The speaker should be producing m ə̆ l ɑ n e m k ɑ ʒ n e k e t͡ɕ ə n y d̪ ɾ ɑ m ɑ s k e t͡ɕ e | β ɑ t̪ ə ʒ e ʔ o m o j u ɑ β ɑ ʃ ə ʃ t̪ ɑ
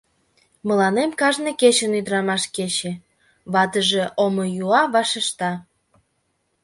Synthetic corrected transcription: m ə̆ l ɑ n e m k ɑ ʒ n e k e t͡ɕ ə n y d̪ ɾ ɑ m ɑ ʃ k e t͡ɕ e | β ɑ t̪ ə ʒ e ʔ o m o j u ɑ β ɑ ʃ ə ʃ t̪ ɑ